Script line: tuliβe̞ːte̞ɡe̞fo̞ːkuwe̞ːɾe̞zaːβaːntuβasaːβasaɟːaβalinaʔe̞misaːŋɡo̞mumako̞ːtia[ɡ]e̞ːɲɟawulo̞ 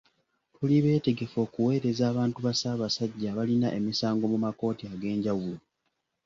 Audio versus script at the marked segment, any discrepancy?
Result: no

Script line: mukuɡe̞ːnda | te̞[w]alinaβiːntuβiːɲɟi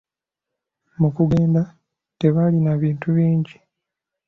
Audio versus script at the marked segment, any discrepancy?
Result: yes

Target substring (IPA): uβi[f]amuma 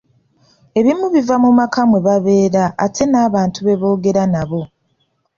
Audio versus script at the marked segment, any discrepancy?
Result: yes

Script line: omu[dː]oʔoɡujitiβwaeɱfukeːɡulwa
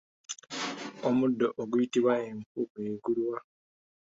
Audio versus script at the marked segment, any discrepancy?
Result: no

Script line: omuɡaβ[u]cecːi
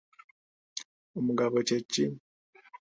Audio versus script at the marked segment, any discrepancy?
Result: yes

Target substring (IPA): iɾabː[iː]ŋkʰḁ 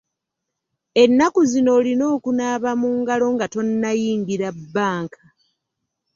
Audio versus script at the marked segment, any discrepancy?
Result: yes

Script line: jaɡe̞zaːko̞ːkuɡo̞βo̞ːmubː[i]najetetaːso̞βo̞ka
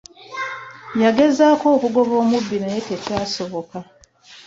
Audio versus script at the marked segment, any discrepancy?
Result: no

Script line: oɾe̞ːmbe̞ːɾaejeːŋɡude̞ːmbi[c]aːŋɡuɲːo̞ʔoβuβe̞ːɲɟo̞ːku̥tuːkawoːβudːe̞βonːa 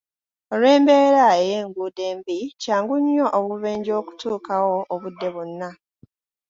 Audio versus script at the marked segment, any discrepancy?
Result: no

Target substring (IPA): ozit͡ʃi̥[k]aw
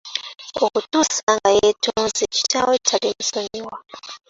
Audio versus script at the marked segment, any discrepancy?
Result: yes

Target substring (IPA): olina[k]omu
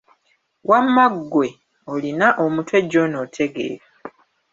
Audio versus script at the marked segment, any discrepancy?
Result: yes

